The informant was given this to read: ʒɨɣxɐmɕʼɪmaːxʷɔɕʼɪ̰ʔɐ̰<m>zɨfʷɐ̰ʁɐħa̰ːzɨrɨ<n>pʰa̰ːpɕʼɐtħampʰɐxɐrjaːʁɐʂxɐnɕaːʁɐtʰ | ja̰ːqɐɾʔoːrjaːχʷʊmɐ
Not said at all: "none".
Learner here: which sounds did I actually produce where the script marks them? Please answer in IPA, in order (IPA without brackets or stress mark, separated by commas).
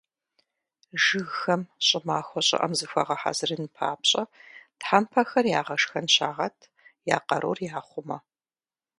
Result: m, n